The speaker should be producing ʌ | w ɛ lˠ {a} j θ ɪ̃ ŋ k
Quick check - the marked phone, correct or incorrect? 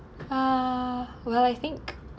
correct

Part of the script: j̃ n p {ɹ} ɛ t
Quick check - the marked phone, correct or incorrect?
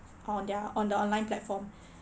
incorrect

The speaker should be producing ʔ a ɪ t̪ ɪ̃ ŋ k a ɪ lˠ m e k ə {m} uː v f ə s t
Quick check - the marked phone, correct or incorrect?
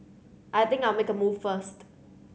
correct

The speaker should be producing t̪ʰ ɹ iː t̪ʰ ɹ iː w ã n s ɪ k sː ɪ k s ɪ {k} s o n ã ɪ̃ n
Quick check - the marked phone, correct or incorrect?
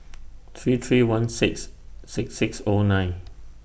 correct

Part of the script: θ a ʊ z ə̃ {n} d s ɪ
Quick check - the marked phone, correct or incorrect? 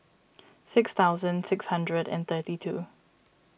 correct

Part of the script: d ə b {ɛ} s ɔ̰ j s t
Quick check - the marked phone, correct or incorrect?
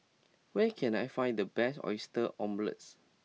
correct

